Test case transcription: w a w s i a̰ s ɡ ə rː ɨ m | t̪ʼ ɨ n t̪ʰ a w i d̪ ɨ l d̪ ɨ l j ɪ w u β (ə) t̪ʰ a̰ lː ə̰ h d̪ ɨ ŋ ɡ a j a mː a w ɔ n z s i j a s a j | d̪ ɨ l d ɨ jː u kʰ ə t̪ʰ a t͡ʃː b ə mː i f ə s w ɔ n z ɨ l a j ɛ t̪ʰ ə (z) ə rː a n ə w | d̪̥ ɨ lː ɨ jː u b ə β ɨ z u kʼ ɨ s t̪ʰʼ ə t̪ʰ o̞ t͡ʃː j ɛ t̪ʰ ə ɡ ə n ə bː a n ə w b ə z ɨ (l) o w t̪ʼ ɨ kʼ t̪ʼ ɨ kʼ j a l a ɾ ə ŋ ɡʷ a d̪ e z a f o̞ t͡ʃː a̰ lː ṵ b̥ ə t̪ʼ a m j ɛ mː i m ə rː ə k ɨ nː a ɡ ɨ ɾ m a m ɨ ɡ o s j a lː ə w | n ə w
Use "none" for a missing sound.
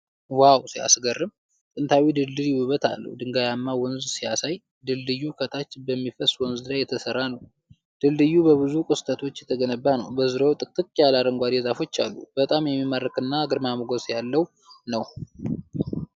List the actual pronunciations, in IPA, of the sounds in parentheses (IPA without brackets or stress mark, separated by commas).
ə, s, ɾ